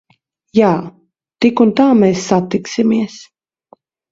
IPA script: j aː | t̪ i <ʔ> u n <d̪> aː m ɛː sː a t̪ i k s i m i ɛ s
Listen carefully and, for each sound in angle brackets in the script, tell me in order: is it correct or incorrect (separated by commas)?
incorrect, incorrect